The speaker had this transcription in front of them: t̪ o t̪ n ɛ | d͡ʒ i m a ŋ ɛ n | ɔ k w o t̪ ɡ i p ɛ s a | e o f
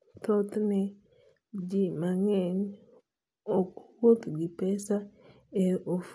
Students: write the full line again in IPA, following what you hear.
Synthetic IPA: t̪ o t̪ n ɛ | d͡ʒ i m a ŋ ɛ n | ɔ k w o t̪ ɡ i p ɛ s a | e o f